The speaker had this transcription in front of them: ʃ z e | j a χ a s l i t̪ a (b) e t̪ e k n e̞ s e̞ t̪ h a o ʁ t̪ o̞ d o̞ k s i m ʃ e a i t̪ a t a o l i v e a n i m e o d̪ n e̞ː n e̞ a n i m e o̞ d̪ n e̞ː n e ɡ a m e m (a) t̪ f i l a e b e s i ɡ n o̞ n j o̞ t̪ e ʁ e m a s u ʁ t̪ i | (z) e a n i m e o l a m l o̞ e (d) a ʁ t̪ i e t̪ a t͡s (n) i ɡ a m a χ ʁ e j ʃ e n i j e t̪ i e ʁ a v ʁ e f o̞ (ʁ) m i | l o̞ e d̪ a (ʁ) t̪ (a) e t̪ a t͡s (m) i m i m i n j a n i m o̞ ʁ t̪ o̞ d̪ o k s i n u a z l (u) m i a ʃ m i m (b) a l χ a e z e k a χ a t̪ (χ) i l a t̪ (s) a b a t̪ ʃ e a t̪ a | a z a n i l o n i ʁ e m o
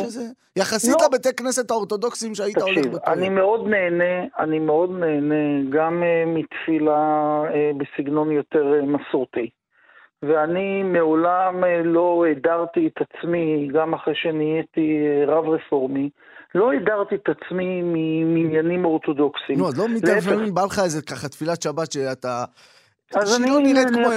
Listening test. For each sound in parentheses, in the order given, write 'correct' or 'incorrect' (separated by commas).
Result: correct, incorrect, incorrect, correct, incorrect, correct, correct, incorrect, correct, incorrect, correct, incorrect, incorrect